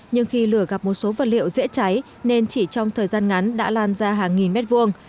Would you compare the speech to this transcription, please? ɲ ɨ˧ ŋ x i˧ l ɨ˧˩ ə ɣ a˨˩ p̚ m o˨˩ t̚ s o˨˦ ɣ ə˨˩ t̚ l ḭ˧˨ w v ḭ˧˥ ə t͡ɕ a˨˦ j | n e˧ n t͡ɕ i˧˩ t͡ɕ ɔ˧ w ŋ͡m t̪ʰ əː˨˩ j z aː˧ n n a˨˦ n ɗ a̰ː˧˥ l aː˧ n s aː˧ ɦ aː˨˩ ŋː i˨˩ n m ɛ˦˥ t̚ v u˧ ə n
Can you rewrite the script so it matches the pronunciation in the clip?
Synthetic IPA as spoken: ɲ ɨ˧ ŋ x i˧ l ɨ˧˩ ə ɣ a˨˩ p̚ m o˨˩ t̚ s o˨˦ v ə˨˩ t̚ l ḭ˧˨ w z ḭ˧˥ ə t͡ɕ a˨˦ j | n e˧ n t͡ɕ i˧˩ t͡ɕ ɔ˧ w ŋ͡m t̪ʰ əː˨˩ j z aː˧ n ŋ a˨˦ n ɗ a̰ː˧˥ l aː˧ n z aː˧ ɦ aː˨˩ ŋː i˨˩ n m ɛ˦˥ t̚ v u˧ ə ŋ